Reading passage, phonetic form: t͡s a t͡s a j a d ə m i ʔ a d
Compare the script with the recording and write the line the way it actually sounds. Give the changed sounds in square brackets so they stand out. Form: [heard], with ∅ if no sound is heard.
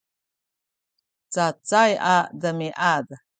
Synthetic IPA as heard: t͡s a t͡s a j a d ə m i ʔ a d